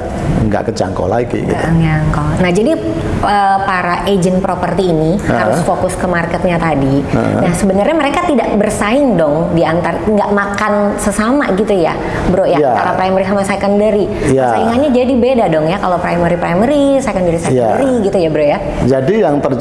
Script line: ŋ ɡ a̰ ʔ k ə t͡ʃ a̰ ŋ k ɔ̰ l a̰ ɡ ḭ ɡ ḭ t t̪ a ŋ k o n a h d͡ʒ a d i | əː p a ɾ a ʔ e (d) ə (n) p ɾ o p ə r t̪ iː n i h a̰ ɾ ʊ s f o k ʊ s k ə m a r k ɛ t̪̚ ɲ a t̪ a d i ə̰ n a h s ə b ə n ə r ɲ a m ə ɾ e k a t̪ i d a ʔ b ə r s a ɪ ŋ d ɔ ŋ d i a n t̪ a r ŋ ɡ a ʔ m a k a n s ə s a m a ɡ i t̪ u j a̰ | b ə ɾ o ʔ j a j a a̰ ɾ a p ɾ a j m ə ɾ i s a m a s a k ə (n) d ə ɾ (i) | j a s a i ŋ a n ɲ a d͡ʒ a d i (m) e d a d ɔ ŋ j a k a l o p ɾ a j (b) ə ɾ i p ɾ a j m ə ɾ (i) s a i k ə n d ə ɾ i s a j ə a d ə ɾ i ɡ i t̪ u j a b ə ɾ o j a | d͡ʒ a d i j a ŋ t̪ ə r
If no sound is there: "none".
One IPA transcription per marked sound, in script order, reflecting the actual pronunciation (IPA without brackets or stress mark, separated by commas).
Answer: d͡ʒ, n, n, i, b, m, i